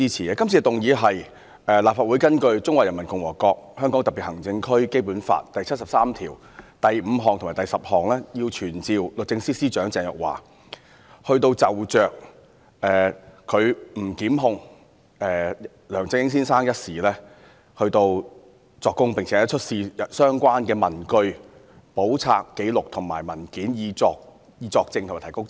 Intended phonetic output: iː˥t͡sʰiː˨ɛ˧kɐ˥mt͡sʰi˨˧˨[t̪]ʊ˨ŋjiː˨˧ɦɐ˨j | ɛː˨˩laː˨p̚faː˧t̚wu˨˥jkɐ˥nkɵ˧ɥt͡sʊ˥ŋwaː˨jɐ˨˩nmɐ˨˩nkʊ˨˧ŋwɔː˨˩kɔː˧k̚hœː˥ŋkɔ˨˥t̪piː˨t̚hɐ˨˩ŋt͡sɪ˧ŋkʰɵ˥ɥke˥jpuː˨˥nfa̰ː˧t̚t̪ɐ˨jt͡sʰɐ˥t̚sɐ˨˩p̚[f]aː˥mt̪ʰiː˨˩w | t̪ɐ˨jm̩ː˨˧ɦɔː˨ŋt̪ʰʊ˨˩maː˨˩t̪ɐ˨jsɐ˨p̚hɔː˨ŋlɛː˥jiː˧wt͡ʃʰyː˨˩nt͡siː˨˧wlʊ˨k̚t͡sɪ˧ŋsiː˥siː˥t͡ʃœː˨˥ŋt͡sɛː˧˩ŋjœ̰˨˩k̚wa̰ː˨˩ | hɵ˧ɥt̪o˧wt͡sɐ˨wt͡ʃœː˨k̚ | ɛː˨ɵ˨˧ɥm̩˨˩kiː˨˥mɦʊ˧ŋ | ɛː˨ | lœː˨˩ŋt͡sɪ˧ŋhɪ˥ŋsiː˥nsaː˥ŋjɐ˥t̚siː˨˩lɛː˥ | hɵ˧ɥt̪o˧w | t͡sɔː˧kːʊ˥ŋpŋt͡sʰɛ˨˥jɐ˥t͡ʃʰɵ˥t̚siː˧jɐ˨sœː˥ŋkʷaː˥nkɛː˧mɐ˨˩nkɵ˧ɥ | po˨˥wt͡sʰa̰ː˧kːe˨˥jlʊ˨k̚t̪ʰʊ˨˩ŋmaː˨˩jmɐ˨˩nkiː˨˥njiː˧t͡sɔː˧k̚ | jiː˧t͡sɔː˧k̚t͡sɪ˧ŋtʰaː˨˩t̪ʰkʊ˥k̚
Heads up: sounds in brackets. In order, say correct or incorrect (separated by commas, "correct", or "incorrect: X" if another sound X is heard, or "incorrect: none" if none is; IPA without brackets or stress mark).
correct, incorrect: s